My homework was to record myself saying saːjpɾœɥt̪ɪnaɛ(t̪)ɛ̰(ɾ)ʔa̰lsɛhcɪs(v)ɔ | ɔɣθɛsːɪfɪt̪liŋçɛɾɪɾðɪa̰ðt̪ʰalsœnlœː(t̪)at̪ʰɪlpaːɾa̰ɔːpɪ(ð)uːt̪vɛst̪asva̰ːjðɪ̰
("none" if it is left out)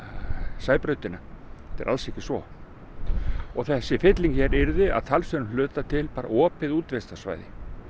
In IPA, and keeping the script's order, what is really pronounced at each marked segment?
t̪, ɾ, v, t̪, ð

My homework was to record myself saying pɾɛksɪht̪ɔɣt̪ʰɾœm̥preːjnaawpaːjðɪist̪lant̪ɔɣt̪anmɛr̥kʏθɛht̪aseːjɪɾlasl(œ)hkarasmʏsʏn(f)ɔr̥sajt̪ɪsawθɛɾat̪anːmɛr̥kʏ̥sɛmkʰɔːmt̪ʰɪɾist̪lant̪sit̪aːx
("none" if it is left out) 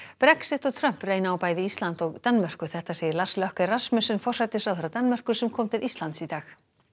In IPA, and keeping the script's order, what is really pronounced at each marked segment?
œ, f

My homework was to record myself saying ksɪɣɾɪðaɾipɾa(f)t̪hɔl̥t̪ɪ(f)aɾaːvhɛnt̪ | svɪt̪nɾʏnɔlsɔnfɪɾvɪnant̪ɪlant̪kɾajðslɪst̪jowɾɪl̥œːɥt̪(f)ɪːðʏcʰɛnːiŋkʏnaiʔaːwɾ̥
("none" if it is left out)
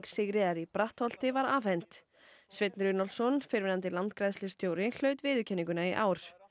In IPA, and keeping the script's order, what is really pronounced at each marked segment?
h, v, v

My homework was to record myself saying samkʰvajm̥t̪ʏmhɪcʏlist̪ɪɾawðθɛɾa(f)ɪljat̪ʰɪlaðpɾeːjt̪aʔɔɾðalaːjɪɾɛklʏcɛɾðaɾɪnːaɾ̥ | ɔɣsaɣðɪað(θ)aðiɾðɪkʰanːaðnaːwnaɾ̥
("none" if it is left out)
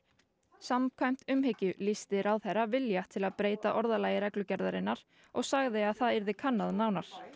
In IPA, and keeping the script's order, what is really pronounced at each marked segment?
v, θ

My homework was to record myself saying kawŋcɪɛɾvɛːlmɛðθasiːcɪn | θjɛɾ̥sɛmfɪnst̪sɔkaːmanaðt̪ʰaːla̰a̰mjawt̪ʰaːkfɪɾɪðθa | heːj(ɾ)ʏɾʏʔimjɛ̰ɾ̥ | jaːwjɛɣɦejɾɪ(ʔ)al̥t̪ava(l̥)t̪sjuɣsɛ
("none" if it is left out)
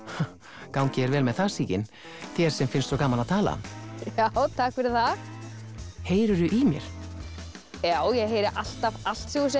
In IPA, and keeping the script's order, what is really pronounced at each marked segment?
ɾ, ʔ, l̥

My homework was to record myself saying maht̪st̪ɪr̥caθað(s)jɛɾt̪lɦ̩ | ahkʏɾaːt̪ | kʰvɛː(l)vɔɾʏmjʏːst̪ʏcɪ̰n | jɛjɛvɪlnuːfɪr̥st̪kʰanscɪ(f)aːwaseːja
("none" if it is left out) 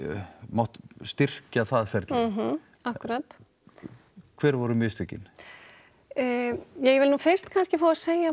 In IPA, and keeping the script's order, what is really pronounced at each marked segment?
f, ɾ, f

